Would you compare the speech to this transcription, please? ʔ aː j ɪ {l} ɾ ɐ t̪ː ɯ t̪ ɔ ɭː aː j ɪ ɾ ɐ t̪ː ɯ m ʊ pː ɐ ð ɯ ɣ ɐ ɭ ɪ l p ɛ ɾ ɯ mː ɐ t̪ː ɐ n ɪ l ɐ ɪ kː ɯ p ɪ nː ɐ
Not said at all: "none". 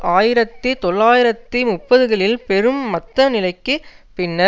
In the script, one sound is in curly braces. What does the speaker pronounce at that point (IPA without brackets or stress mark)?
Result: none